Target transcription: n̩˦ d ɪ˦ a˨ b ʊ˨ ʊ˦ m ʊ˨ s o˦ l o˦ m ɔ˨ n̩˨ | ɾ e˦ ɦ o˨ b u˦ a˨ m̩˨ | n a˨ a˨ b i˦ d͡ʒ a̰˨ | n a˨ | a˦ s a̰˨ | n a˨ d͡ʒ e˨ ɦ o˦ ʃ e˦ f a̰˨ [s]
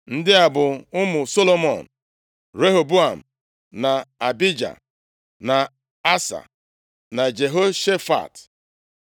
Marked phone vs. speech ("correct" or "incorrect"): incorrect